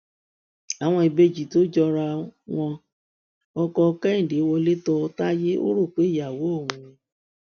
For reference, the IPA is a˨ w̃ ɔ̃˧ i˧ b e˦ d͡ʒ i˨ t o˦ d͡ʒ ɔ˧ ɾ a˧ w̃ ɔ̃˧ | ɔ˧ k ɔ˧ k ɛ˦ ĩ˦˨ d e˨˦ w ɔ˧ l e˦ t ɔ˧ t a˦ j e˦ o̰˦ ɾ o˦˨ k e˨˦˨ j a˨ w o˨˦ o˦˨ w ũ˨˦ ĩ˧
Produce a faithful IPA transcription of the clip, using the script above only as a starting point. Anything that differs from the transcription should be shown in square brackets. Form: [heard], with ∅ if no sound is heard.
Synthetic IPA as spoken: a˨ w̃ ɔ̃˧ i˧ b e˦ d͡ʒ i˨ t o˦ d͡ʒ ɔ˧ ɾ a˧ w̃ ɔ̃˧ | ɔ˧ k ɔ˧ k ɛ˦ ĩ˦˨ d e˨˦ w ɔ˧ l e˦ t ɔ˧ t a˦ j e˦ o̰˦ ɾ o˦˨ [k͡p] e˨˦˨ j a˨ w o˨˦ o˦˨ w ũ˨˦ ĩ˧